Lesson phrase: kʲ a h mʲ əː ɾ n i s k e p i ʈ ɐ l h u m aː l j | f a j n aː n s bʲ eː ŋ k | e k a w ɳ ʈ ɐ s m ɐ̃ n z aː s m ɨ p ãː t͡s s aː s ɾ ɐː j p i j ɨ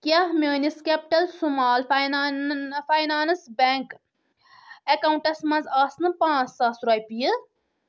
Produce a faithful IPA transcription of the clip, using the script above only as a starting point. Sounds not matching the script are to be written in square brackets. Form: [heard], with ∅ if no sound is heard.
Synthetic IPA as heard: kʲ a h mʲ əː [∅] n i s k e p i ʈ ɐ l [s] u m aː l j | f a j n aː n s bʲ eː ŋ k | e k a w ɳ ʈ ɐ s m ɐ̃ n z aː s [n] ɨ p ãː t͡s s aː s ɾ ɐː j p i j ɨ